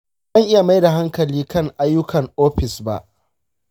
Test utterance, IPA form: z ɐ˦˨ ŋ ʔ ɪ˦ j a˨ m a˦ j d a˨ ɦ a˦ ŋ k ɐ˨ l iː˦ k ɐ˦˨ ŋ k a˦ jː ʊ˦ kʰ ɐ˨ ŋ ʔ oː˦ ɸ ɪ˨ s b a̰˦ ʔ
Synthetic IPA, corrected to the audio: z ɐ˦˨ ŋ ʔ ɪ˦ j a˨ m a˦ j d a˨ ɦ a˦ ŋ k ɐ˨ l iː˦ k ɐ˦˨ ŋ ʔ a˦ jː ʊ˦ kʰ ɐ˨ ŋ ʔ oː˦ ɸ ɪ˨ s b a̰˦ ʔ